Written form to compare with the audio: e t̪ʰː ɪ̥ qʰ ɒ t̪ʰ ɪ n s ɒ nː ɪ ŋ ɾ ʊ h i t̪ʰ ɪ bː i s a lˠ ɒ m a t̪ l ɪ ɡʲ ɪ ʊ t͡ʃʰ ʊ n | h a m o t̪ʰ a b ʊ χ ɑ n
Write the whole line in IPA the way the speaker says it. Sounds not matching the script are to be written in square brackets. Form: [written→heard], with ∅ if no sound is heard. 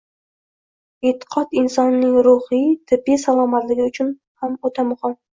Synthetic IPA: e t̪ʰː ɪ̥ qʰ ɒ [t̪ʰ→t̪] ɪ n s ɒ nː ɪ ŋ ɾ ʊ h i t̪ʰ ɪ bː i s a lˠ ɒ m a t̪ l ɪ ɡʲ ɪ ʊ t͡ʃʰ ʊ n | h a m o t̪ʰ a [b→m] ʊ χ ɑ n